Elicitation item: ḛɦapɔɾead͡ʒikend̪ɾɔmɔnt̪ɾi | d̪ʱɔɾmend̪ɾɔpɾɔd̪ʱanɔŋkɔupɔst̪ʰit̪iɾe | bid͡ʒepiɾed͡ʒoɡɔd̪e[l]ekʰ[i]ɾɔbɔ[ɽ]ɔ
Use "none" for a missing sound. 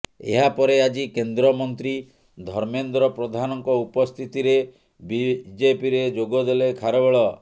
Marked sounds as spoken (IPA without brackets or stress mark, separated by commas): l, a, ɭ